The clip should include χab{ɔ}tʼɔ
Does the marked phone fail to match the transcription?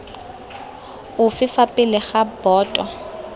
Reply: yes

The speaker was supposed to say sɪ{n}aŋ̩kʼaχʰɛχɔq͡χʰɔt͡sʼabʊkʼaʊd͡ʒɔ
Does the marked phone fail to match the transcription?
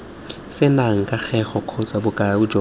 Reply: no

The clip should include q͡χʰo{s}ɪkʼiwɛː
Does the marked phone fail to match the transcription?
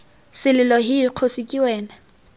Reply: no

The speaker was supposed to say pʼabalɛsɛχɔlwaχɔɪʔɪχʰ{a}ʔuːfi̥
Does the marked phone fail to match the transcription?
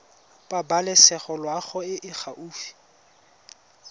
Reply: no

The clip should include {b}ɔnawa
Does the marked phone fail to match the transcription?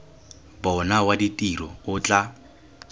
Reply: no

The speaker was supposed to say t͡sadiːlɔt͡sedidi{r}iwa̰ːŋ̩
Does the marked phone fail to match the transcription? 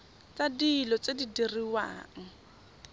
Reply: no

